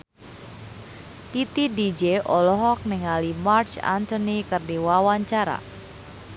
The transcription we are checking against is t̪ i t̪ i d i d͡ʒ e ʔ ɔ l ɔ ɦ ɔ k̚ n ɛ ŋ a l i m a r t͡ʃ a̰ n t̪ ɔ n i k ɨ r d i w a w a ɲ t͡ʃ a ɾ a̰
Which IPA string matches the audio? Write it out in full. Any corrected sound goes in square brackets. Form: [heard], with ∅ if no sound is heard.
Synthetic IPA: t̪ i t̪ i d i d͡ʒ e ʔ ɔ l ɔ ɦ ɔ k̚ n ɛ ŋ a l i m a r t͡ʃ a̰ n t̪ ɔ n i k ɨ r d i w a w a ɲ t͡ʃ a ɾ a̰